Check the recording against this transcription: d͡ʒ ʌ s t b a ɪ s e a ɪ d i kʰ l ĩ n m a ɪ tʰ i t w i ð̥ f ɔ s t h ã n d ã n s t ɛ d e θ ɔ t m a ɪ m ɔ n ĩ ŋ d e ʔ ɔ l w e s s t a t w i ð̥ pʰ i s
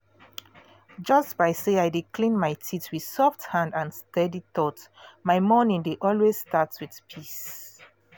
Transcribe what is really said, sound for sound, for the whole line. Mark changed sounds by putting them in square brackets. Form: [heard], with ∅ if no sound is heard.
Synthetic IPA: d͡ʒ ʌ s t b a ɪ s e a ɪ d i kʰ l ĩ n m a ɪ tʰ i t w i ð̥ [s] ɔ [f] t h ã n d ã n s t ɛ d [i] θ ɔ t m a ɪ m ɔ n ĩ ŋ d e ʔ ɔ l w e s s t a t w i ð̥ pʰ i s